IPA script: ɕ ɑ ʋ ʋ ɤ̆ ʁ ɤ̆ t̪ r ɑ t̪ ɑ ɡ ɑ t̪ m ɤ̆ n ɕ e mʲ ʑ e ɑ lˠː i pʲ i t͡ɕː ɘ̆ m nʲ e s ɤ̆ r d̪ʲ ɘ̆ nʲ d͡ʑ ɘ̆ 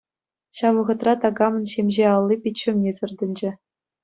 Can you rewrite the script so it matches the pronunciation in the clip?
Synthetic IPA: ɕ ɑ ʋ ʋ ɤ̆ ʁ ɤ̆ t̪ r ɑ t̪ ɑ ɡ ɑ m ɤ̆ n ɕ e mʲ ʑ e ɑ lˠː i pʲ i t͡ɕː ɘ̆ m nʲ e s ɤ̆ r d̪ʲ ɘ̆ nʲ d͡ʑ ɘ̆